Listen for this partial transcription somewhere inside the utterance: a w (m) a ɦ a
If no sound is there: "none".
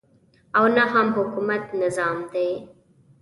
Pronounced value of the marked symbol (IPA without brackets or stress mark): n